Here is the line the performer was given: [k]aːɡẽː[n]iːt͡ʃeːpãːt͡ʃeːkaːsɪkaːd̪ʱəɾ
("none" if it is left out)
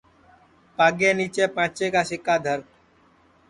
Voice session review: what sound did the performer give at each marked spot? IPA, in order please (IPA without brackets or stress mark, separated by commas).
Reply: p, n